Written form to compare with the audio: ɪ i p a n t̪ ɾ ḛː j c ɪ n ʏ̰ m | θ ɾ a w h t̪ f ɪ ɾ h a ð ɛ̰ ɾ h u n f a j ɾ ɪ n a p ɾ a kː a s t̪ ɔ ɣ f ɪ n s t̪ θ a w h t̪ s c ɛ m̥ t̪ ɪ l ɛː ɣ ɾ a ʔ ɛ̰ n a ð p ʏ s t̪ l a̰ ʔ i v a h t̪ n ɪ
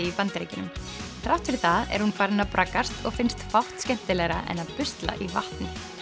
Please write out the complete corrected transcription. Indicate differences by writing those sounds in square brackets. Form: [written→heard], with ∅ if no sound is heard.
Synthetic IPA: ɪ i p a n t̪ ɾ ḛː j c ɪ n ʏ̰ m | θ ɾ a w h t̪ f ɪ ɾ [h→θ] a ð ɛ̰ ɾ h u n f a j ɾ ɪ n a p ɾ a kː a s t̪ ɔ ɣ f ɪ n s t̪ [θ→f] a w h t̪ s c ɛ m̥ t̪ ɪ l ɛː ɣ ɾ a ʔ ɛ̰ n a ð p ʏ s t̪ l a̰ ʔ i v a h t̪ n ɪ